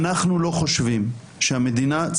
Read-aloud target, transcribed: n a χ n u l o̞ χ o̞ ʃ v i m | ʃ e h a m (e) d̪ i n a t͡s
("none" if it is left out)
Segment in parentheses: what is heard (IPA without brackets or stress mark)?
e